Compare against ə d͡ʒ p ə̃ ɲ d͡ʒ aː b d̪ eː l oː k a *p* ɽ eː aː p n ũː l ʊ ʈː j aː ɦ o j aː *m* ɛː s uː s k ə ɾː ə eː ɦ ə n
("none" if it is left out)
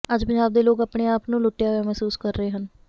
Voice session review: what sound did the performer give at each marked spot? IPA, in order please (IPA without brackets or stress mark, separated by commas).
p, m